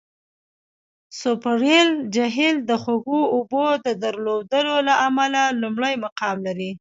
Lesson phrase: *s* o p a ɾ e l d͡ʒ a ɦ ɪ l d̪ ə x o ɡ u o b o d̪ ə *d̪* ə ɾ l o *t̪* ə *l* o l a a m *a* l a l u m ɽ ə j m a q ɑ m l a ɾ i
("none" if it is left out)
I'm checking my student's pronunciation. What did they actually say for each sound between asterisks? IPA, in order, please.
s, d̪, d̪, l, a

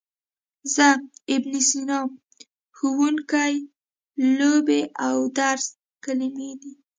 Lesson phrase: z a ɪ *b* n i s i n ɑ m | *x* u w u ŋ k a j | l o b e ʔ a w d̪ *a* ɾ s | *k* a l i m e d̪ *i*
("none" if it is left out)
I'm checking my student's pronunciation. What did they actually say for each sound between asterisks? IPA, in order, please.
b, x, a, k, i

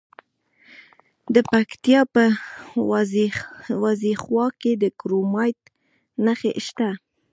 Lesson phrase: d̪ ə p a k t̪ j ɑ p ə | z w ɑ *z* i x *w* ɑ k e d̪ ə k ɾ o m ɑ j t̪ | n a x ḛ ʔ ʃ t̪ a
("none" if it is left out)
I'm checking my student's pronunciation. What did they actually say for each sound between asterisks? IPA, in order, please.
z, w

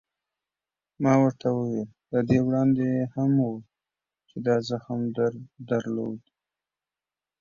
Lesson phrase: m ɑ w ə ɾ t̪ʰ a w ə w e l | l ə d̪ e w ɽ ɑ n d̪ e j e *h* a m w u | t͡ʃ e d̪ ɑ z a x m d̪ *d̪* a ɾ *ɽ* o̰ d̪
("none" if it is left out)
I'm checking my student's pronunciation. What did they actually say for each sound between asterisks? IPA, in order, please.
h, d̪, l

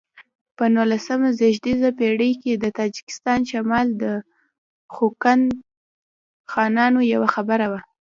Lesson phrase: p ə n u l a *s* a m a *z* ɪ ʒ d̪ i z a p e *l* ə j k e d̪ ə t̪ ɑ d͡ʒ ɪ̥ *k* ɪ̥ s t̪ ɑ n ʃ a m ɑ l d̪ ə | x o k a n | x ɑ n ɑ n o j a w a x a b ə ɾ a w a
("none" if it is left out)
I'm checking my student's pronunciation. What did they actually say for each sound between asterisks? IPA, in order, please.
s, z, ɽ, k

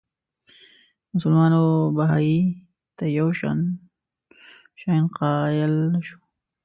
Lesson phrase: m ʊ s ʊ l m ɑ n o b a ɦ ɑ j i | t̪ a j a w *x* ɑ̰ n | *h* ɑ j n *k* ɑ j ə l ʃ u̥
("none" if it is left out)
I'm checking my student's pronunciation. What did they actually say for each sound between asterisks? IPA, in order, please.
ʃ, ʃ, q

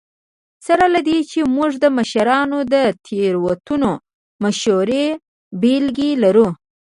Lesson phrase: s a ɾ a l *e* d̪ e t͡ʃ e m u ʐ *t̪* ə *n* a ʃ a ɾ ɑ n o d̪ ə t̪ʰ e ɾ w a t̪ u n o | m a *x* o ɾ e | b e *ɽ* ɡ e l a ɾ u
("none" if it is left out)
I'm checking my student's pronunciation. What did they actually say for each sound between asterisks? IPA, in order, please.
a, d̪, m, ʃ, l

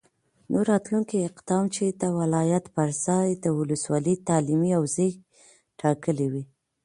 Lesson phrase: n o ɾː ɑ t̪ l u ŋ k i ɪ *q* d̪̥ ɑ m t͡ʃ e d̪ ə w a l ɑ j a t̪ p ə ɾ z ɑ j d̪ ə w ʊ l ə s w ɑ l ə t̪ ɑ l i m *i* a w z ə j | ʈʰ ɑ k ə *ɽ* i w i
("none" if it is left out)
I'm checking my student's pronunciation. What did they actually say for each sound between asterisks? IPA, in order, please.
q, i, l

